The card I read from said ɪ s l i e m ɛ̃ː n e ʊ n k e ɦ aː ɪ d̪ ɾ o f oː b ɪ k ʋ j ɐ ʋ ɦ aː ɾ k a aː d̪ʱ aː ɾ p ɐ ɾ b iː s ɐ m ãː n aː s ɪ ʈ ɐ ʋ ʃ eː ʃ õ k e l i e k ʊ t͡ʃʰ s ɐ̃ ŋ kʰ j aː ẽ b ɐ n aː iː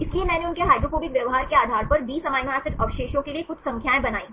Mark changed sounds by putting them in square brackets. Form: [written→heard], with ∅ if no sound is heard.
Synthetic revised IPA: ɪ s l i e m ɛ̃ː n e ʊ n k e ɦ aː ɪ d̪ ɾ o f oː b ɪ k ʋ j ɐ ʋ ɦ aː ɾ k [a→e] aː d̪ʱ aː ɾ p ɐ ɾ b iː s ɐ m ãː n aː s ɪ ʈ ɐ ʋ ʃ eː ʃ õ k e l i e k ʊ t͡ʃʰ s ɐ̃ ŋ kʰ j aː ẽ b ɐ n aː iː